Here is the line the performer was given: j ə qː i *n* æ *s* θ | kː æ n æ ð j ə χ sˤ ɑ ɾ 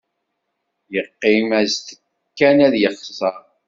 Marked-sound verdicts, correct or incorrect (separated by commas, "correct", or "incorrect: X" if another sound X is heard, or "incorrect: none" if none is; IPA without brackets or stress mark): incorrect: m, incorrect: z